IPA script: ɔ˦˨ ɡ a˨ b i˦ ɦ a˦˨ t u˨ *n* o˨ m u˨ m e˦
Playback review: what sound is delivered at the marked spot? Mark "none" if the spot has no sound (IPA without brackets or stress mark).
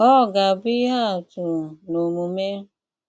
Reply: n